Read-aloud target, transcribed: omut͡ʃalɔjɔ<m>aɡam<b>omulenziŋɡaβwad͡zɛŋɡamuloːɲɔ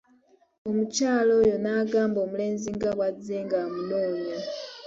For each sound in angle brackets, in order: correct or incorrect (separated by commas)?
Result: incorrect, correct